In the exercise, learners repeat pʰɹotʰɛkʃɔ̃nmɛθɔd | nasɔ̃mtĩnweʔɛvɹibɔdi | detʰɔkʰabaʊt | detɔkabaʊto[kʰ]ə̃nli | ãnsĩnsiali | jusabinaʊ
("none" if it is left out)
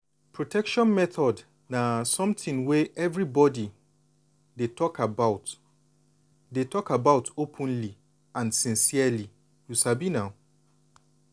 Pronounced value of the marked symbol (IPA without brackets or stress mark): pʰ